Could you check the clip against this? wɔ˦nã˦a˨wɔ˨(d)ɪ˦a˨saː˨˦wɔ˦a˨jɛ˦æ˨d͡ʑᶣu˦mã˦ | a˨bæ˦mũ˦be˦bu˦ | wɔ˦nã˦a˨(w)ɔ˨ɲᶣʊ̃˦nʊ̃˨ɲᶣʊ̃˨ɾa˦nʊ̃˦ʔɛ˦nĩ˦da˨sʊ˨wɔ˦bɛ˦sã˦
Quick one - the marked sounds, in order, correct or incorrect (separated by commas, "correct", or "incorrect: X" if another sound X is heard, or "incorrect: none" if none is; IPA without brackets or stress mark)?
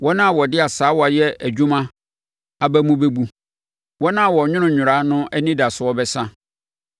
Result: correct, correct